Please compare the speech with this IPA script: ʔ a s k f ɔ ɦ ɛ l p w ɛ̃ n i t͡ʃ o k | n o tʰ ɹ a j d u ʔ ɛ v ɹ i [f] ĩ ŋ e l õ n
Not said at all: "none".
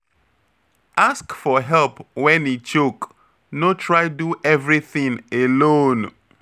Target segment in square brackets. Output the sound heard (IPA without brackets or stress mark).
θ